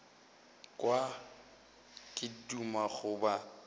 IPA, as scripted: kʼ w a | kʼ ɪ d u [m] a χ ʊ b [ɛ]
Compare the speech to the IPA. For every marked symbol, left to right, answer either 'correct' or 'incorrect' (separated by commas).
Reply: correct, incorrect